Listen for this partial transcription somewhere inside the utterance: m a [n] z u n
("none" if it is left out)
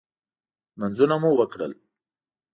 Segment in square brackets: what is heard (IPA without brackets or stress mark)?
n